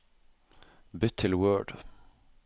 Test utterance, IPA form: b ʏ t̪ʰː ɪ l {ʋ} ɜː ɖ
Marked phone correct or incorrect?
incorrect